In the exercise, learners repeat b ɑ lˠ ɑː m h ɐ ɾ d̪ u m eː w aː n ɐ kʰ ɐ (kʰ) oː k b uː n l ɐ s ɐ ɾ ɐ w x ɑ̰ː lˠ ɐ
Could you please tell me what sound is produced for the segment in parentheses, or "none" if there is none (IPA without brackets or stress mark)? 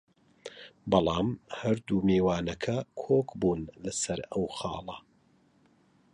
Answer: kʰ